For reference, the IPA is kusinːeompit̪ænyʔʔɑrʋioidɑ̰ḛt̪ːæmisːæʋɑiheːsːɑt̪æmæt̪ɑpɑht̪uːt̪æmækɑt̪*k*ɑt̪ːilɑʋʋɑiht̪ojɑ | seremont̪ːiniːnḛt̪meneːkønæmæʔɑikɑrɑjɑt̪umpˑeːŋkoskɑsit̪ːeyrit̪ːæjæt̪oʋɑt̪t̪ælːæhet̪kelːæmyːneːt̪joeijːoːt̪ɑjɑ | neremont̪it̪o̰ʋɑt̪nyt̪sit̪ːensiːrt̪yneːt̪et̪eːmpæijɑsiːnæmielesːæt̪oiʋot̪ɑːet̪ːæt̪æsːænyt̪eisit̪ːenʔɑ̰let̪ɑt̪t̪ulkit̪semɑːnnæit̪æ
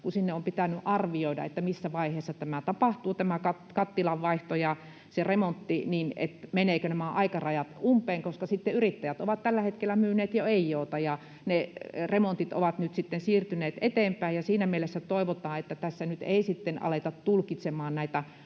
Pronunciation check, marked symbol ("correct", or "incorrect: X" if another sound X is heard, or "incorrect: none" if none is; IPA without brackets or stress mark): correct